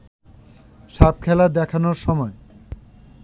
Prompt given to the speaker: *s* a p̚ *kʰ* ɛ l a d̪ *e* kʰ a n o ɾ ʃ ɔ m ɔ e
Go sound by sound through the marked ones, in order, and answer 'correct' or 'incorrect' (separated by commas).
incorrect, correct, incorrect